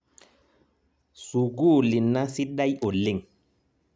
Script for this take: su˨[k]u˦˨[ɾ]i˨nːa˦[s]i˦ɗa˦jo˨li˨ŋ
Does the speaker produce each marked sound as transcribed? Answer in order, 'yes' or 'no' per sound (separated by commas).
no, no, yes